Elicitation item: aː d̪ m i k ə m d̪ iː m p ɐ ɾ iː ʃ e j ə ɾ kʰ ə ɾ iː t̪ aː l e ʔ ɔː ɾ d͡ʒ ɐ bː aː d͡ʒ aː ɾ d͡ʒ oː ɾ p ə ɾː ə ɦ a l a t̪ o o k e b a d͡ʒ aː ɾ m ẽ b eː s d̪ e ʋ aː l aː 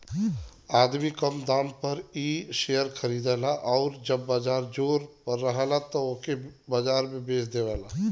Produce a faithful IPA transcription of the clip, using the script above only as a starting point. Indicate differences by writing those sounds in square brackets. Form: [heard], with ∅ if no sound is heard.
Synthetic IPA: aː d̪ m i k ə m d̪ [aː] m p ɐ ɾ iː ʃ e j ə ɾ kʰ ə ɾ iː [d̪] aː l [a] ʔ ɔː ɾ d͡ʒ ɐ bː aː d͡ʒ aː ɾ d͡ʒ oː ɾ p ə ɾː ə ɦ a l a t̪ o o k e b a d͡ʒ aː ɾ m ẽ b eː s d̪ e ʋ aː l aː